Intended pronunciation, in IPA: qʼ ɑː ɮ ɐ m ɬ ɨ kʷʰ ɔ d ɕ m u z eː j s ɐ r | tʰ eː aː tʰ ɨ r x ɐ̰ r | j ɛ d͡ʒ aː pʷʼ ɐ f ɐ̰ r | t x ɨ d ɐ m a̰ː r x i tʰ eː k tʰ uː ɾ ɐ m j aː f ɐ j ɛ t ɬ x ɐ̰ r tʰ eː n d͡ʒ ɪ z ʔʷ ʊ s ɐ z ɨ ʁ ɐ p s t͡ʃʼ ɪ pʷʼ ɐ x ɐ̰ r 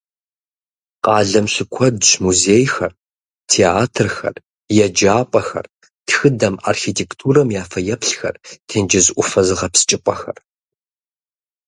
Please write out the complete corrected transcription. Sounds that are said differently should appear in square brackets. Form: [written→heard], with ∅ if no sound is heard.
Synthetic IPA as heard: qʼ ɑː ɮ ɐ m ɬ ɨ kʷʰ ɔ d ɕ m u z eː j [s→x] ɐ r | tʰ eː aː tʰ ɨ r x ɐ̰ r | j ɛ d͡ʒ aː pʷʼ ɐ [f→x] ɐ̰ r | t x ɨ d ɐ m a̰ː r x i tʰ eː k tʰ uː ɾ ɐ m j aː f ɐ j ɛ [t→p] ɬ x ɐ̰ r tʰ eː n d͡ʒ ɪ z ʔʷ ʊ [s→f] ɐ z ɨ ʁ ɐ p s t͡ʃʼ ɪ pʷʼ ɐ x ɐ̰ r

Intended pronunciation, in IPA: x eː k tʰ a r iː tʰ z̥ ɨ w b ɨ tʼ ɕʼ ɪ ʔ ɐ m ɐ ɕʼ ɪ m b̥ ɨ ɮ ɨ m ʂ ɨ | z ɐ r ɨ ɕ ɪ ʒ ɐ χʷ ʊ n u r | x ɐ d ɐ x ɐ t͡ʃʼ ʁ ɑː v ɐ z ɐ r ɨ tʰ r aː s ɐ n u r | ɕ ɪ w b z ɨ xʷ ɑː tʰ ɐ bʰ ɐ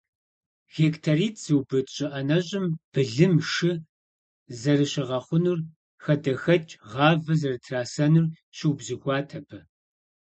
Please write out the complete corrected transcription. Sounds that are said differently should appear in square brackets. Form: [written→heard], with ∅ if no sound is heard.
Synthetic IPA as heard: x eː k tʰ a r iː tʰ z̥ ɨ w b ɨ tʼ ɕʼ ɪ ʔ ɐ [m→n] ɐ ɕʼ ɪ m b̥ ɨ ɮ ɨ m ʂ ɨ | z ɐ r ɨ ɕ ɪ [ʒ→ʁ] ɐ χʷ ʊ n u r | x ɐ d ɐ x ɐ t͡ʃʼ ʁ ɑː v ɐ z ɐ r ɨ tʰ r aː s ɐ n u r | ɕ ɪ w b z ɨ xʷ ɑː tʰ ɐ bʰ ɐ

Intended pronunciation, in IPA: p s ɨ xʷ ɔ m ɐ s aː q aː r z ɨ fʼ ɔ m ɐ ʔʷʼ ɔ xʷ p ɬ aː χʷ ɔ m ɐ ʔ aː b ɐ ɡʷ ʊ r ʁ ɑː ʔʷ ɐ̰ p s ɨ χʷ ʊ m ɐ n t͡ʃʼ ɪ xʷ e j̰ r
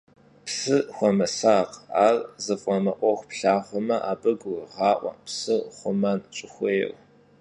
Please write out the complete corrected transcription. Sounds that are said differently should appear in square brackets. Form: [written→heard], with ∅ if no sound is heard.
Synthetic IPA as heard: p s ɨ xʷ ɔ m ɐ s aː q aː r z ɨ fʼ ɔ m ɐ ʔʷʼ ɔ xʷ p ɬ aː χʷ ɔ m ɐ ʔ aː b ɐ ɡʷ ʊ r ʁ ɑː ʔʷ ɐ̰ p s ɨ χʷ ʊ m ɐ n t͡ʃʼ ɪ xʷ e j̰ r

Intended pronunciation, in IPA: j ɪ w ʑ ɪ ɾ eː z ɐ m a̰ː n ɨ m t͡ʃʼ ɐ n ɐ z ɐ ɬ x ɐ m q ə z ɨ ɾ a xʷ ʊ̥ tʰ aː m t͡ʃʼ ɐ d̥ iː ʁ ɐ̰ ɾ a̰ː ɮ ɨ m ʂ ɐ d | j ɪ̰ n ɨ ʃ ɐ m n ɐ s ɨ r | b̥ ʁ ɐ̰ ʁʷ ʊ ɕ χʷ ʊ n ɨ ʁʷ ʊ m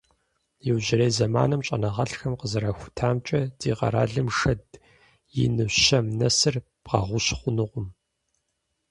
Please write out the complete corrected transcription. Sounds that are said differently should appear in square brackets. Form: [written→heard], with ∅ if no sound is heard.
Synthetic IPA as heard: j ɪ w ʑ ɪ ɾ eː z ɐ m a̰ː n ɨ m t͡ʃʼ ɐ n ɐ [z→ʁ] ɐ ɬ x ɐ m q ə z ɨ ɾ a xʷ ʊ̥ tʰ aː m t͡ʃʼ ɐ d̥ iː ʁ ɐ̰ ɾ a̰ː ɮ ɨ m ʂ ɐ d | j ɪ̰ n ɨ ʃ ɐ m n ɐ s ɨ r | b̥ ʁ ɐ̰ ʁʷ ʊ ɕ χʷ ʊ n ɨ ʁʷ ʊ m

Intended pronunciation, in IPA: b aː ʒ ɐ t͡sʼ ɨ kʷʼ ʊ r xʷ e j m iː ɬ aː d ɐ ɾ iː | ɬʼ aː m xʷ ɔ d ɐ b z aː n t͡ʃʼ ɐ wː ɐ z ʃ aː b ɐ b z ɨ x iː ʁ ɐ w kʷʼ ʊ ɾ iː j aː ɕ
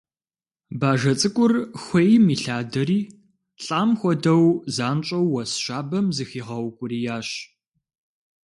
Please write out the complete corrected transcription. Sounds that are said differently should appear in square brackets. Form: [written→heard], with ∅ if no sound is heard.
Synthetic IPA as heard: b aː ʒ ɐ t͡sʼ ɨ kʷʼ ʊ r xʷ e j m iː ɬ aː d ɐ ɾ iː | ɬʼ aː m xʷ ɔ d ɐ [b→w] z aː n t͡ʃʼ ɐ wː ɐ [z→s] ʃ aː b ɐ [b→m] z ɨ x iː ʁ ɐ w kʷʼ ʊ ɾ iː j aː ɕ

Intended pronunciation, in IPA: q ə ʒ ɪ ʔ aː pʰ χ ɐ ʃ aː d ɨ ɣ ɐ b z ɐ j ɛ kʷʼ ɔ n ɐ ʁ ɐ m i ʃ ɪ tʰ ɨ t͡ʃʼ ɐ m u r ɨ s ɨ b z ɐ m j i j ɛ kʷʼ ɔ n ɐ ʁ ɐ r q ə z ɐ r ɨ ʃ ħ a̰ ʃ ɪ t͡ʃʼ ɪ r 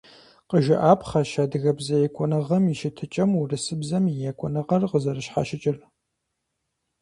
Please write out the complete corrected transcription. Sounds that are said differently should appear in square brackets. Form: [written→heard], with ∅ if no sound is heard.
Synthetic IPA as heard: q ə ʒ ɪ ʔ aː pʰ χ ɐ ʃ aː d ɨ ɣ ɐ b z ɐ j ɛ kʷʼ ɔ n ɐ ʁ ɐ m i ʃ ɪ tʰ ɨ t͡ʃʼ ɐ m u r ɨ s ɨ b z ɐ m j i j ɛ kʷʼ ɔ n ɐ ʁ ɐ r q ə z ɐ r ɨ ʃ ħ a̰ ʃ ɪ t͡ʃʼ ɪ r

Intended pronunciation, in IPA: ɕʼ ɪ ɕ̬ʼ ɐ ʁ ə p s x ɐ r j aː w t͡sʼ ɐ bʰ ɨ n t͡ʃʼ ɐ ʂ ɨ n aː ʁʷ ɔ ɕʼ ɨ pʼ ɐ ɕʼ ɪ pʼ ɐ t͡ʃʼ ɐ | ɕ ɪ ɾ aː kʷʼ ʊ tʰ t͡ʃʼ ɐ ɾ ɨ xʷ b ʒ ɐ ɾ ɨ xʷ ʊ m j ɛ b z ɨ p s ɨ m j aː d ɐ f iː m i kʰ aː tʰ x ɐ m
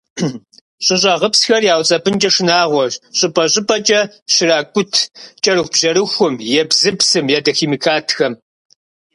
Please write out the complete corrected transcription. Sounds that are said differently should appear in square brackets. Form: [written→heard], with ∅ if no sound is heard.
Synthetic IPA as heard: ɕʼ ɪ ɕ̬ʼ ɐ ʁ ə p s x ɐ r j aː w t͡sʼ ɐ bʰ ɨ n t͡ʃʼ ɐ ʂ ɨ n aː ʁʷ ɔ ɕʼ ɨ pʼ ɐ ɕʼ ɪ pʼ ɐ t͡ʃʼ ɐ | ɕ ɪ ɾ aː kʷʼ ʊ tʰ t͡ʃʼ ɐ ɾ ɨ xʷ b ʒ ɐ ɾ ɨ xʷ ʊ m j ɛ b z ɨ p s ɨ m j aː d ɐ [f→x] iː m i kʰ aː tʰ x ɐ m

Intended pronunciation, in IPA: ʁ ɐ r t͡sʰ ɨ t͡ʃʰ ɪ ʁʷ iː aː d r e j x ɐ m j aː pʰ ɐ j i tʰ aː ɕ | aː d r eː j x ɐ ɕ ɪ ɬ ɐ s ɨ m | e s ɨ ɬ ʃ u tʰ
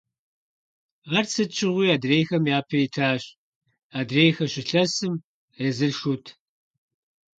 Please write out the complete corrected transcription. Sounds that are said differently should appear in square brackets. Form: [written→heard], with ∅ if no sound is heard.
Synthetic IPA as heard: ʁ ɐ r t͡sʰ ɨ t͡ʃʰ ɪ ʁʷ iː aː d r e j x ɐ m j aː pʰ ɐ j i tʰ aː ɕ | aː d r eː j x ɐ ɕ ɪ ɬ ɐ s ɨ m | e [s→z] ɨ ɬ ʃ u tʰ

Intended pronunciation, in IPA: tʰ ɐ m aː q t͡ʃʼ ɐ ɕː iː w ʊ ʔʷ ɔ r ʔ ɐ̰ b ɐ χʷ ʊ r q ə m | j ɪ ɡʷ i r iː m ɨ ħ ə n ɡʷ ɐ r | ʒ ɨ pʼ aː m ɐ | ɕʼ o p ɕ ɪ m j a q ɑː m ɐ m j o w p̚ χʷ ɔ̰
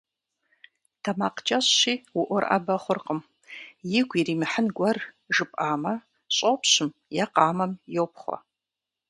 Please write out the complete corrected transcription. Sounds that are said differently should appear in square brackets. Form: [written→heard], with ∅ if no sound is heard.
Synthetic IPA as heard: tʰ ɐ m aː q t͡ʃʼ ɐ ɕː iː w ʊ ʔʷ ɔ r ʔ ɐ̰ b ɐ χʷ ʊ r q ə m | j ɪ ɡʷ i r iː m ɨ ħ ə n ɡʷ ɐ r | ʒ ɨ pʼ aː m ɐ | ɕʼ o p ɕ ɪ m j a q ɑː m ɐ m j o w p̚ χʷ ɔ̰

